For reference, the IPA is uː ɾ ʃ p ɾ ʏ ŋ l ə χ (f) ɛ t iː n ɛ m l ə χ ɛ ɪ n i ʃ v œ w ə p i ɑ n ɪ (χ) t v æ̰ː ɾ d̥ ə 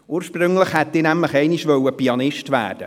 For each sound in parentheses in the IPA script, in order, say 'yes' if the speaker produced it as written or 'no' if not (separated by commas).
no, no